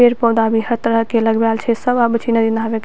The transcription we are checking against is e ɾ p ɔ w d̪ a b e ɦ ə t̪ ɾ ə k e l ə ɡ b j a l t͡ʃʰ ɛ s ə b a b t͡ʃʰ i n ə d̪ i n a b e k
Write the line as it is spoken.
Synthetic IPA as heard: e ɾ p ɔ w d̪ a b i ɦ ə t̪ ɾ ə k e l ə ɡ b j a l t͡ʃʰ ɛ s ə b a b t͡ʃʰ i n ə d̪ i n a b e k